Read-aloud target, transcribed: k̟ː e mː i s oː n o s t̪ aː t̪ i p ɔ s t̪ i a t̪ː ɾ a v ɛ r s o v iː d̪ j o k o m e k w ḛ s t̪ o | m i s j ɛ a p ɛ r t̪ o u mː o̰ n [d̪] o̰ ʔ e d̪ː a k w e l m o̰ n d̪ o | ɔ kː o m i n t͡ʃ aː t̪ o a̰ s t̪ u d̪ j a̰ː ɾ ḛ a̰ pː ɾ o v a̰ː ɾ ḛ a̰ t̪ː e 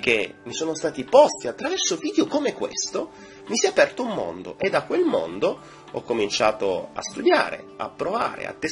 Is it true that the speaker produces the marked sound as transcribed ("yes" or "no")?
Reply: yes